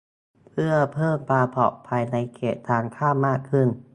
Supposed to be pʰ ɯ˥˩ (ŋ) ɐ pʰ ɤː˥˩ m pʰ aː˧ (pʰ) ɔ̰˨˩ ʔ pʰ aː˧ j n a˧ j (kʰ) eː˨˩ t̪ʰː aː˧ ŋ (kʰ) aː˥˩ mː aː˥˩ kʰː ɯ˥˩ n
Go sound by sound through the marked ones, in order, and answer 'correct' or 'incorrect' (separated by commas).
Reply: incorrect, correct, correct, correct